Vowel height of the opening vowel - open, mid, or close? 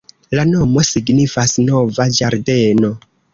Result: open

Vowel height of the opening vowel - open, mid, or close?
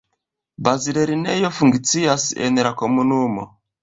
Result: open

